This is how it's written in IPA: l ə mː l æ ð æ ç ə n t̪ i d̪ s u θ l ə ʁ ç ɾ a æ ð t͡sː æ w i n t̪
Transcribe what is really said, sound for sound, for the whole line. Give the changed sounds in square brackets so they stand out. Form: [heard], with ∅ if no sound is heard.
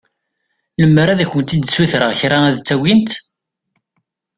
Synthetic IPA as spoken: l ə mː [ɾ] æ ð æ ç ə n t̪ i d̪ s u θ [ɾ] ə ʁ ç ɾ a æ ð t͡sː æ w i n t̪